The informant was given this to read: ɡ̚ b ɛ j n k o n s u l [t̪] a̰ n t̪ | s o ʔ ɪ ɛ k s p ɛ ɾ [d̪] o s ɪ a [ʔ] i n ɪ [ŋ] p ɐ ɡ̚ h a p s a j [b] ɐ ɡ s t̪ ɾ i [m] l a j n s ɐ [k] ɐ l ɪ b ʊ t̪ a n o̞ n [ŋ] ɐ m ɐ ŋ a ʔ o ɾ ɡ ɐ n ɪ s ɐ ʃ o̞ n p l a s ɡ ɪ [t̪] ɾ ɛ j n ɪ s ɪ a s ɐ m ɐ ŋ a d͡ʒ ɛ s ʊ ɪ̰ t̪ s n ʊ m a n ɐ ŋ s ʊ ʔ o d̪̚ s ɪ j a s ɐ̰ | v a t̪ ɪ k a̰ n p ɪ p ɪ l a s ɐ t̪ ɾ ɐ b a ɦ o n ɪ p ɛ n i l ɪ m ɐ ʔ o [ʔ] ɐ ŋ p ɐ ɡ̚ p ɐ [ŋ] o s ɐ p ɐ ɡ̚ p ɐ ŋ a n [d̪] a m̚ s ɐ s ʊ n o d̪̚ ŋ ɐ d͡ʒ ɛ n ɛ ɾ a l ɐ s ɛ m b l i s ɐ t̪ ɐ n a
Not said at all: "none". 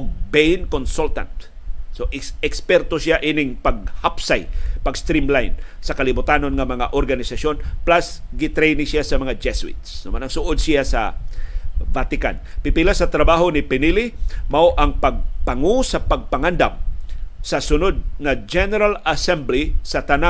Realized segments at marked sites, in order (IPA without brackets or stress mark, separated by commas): t̪, t̪, ʔ, ŋ, p, m, k, ŋ, t̪, ʔ, ŋ, d̪